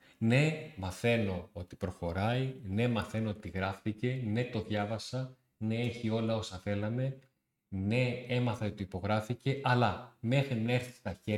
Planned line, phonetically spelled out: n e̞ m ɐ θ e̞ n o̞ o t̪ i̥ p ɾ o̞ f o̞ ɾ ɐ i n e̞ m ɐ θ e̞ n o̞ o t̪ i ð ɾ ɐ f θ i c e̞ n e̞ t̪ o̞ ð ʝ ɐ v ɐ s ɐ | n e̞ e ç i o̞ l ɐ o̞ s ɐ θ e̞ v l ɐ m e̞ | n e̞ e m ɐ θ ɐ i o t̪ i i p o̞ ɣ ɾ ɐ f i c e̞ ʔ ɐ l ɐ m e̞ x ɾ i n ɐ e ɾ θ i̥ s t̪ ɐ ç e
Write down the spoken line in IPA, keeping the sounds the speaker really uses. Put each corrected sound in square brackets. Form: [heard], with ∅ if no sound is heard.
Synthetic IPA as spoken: n e̞ m ɐ θ e̞ n o̞ o t̪ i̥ p ɾ o̞ [x] o̞ ɾ ɐ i n e̞ m ɐ θ e̞ n o̞ o t̪ i [ɣ] ɾ ɐ f θ i c e̞ n e̞ t̪ o̞ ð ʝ ɐ v ɐ s ɐ | n e̞ e ç i o̞ l ɐ o̞ s ɐ θ e̞ [∅] l ɐ m e̞ | n e̞ e m ɐ θ ɐ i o t̪ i i p o̞ ɣ ɾ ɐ f i c e̞ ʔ ɐ l ɐ m e̞ x ɾ i n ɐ e ɾ θ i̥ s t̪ ɐ ç e